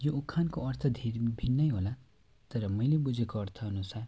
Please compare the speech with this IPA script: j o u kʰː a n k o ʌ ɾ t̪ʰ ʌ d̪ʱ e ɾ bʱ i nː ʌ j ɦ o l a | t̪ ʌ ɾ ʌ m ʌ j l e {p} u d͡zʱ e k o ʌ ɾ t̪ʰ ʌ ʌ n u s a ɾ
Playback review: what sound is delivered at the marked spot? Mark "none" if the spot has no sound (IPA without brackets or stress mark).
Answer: b